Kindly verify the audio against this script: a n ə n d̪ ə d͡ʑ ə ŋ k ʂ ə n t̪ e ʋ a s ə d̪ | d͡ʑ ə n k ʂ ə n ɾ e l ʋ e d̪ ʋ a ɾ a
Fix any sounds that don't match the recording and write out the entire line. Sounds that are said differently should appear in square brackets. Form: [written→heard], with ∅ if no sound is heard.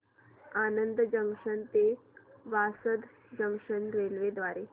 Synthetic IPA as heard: a n ə n d̪ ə d͡ʑ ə ŋ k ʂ ə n t̪ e ʋ a s ə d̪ | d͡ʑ ə [n→ŋ] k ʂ ə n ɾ e l ʋ e d̪ ʋ a ɾ [a→e]